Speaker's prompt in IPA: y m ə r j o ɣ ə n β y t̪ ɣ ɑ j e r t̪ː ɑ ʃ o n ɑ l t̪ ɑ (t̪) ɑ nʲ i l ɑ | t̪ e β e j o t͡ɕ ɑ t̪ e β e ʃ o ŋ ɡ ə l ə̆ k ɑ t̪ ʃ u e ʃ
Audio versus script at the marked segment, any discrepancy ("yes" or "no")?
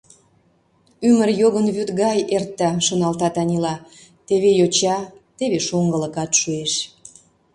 no